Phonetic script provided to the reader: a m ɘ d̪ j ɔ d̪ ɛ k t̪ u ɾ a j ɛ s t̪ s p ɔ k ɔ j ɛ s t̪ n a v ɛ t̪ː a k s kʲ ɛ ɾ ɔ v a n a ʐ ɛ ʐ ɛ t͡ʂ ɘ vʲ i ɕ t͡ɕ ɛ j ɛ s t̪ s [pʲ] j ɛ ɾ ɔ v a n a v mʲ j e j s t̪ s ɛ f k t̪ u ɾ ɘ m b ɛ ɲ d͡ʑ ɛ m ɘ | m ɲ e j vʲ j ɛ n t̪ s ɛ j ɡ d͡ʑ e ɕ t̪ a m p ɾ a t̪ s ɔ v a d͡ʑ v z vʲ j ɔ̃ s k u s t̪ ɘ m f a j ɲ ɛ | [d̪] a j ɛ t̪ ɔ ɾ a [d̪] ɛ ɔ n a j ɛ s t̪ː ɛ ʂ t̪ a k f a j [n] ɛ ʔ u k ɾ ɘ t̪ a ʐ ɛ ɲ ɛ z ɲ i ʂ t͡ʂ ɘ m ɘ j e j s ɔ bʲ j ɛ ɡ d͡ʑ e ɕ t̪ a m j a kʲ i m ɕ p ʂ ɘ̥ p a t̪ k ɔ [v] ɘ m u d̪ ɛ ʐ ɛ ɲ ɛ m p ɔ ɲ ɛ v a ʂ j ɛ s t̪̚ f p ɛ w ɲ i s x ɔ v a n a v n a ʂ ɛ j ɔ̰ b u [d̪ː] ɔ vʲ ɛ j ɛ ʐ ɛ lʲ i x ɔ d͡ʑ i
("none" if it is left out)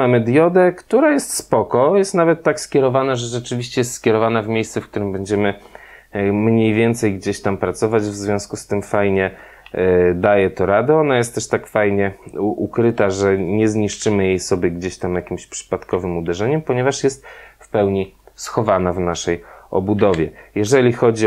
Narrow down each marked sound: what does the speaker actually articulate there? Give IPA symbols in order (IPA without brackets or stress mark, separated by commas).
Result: kʲ, d̪, d̪, ɲ, v, d̪